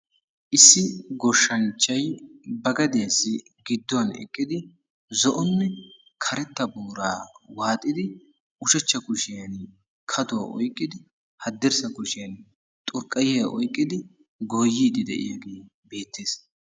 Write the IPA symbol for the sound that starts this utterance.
ʔ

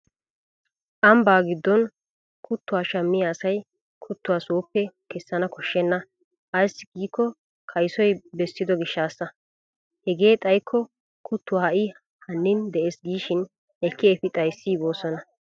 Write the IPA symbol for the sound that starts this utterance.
ʔ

